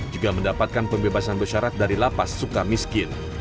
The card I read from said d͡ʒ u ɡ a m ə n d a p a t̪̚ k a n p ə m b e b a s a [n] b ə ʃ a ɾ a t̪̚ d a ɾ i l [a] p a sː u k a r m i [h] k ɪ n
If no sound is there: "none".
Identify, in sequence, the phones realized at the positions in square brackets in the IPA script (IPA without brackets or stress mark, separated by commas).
n, a, s